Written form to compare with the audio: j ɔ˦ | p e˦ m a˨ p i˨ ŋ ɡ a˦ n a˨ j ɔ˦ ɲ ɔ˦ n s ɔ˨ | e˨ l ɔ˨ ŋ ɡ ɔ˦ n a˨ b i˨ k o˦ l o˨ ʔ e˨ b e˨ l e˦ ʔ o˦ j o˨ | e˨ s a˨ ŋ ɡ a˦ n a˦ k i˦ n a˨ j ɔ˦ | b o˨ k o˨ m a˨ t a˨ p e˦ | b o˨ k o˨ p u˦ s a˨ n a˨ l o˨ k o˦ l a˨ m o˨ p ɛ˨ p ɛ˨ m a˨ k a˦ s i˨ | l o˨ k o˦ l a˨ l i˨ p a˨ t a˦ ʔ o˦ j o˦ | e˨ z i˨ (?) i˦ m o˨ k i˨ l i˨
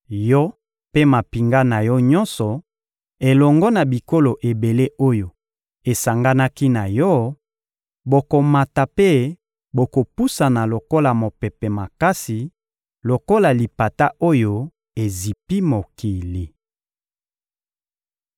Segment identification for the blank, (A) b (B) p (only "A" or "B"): B